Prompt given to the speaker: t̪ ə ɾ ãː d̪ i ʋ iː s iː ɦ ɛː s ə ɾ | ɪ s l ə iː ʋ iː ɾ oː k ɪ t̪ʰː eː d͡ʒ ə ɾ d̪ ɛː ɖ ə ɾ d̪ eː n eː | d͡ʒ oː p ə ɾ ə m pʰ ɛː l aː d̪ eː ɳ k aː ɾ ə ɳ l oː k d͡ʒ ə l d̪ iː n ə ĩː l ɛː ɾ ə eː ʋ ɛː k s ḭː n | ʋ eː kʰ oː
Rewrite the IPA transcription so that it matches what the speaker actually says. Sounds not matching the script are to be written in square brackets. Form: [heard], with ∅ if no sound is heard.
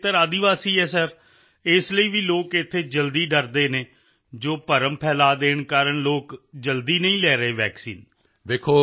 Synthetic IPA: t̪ ə ɾ [aː] d̪ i ʋ [aː] s iː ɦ ɛː s ə ɾ | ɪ s l ə iː ʋ iː [l] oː k ɪ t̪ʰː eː d͡ʒ ə [l] d̪ [iː] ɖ ə ɾ d̪ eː n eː | d͡ʒ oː p ə ɾ ə m pʰ ɛː l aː d̪ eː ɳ k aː ɾ ə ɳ l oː k d͡ʒ ə l d̪ iː n ə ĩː l ɛː ɾ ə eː ʋ ɛː k s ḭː n | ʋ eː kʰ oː